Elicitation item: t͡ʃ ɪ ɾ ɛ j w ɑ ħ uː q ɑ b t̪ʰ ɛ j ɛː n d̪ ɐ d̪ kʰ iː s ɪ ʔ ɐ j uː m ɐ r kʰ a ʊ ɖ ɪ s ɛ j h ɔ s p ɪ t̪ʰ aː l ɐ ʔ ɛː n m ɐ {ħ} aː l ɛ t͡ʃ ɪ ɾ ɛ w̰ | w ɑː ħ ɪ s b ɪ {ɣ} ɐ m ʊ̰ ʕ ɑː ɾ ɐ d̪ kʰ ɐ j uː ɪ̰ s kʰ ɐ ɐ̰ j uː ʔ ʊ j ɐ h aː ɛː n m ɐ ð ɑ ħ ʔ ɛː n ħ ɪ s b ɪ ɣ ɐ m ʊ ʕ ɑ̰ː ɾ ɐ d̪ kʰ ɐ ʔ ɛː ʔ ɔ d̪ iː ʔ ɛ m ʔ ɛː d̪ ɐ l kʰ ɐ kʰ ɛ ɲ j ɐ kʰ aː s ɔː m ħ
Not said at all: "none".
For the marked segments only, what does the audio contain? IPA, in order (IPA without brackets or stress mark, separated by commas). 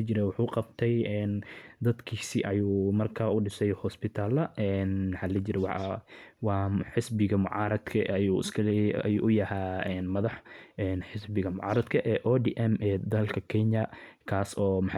ħ, ɣ